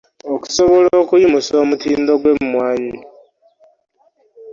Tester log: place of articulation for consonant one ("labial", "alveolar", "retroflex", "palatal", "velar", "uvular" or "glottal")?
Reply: velar